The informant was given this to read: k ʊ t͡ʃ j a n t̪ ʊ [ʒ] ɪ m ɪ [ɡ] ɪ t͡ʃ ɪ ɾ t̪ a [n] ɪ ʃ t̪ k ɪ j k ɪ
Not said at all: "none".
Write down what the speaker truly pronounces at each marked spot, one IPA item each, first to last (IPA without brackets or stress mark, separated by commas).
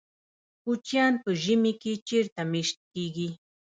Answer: ʒ, k, m